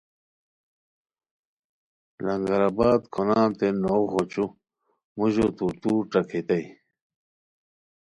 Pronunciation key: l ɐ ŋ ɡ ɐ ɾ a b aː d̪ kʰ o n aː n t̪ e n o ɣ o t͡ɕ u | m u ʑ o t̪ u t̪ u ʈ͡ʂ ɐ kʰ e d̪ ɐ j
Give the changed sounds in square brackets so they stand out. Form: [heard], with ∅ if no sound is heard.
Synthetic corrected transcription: l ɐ ŋ ɡ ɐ ɾ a b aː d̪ kʰ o n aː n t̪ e n o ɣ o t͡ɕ u | m u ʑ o t̪ u t̪ u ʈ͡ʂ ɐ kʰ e [t̪] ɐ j